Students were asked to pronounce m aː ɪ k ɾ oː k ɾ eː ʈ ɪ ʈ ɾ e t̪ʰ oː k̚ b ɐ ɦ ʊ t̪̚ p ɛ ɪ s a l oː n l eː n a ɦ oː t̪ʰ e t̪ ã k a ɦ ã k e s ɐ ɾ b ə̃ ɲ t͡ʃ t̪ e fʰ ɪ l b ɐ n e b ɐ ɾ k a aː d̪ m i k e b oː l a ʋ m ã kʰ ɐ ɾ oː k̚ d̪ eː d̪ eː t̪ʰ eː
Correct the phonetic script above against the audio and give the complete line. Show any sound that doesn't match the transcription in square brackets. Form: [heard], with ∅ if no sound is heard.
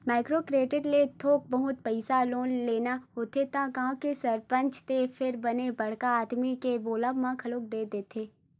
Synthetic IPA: m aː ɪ k ɾ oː k ɾ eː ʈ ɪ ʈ [l] e t̪ʰ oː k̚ b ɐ ɦ ʊ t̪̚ p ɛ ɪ s a l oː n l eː n a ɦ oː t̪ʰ e t̪ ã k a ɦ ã k e s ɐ ɾ [p] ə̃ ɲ t͡ʃ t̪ e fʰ ɪ [ɾ] b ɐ n e b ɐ [ɽ] k a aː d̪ m i k e b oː l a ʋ m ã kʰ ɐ [l] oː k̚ d̪ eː d̪ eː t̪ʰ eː